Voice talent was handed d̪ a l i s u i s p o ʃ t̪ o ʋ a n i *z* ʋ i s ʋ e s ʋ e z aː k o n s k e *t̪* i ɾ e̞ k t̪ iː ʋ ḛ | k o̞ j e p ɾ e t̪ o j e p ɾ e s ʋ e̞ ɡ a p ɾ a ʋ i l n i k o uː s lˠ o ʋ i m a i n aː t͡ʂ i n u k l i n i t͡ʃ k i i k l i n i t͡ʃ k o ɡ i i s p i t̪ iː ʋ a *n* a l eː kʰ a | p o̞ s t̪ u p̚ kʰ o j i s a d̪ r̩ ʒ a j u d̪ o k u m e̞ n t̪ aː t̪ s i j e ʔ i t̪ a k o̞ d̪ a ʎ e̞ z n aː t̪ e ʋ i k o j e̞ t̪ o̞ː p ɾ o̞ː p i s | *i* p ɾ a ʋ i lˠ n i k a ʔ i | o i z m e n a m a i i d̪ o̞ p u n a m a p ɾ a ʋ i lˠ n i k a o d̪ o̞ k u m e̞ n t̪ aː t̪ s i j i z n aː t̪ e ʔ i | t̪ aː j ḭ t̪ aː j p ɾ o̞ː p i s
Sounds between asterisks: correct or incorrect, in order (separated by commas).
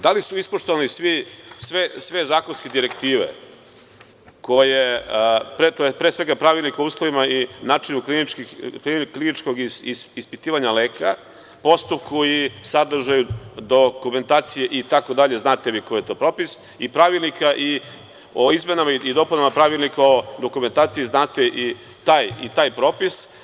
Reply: incorrect, incorrect, incorrect, correct